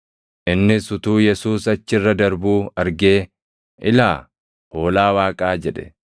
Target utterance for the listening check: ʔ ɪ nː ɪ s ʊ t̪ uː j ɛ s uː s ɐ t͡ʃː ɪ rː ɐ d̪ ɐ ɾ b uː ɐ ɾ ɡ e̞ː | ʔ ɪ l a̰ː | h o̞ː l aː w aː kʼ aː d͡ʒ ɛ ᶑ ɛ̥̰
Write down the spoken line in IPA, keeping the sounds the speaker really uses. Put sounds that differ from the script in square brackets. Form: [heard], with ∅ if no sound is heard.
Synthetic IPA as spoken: ʔ ɪ nː ɪ s ʊ t̪ uː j ɛ s uː s ɐ t͡ʃː ɪ rː ɐ d̪ ɐ ɾ b uː ɐ ɾ ɡ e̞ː | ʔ ɪ l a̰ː | h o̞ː l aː w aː kʼ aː d͡ʒ ɛ ᶑ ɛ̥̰